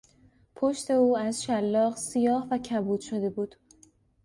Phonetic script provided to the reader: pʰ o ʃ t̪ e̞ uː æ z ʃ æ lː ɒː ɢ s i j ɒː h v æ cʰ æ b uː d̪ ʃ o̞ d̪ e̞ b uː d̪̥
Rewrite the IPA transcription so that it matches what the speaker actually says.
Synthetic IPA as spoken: pʰ o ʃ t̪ e̞ uː æ z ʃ æ lː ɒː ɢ s i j ɒː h v æ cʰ æ b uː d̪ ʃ o̞ d̪ e̞ b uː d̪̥